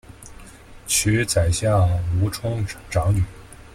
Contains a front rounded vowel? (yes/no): yes